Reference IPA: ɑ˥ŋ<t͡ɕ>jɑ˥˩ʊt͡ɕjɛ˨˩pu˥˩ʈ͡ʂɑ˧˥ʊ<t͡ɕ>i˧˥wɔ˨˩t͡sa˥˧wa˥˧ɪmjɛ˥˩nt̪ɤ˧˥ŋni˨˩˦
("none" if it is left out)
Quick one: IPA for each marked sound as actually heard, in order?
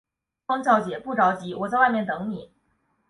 t͡ɕ, t͡ɕ

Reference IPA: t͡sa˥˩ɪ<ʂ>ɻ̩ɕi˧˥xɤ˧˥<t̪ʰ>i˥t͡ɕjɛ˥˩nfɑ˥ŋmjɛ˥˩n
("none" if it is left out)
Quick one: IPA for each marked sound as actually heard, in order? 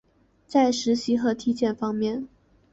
ʂ, t̪ʰ

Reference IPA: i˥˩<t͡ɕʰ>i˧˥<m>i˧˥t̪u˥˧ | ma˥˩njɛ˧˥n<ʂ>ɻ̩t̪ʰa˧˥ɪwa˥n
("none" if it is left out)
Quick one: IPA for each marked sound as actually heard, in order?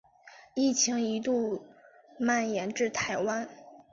t͡ɕʰ, ŋ, ʈ͡ʂ

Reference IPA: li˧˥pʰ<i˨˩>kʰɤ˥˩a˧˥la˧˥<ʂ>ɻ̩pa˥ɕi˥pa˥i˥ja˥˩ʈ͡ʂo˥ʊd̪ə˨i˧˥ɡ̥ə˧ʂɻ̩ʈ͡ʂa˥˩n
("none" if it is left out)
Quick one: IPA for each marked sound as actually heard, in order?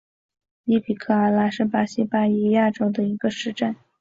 i˨˩, ʂ

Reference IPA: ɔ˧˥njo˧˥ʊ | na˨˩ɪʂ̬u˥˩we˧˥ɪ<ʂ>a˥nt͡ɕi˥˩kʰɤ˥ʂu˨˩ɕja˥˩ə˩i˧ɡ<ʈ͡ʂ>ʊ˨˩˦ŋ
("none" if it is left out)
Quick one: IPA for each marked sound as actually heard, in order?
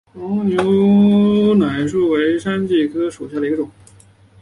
ʂ, ʈ͡ʂ

